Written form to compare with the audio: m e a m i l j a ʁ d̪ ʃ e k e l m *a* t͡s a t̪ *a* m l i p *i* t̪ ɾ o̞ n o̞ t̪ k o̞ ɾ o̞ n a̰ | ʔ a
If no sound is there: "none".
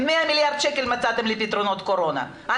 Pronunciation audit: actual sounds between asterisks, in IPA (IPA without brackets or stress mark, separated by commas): a, e, i